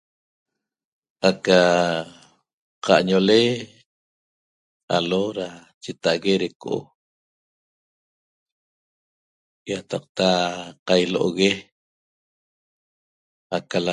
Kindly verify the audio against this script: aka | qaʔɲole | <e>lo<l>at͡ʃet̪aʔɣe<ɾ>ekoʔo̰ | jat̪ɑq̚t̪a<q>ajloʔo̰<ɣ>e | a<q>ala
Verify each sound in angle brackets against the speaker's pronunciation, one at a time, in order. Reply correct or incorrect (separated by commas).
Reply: incorrect, incorrect, correct, correct, correct, incorrect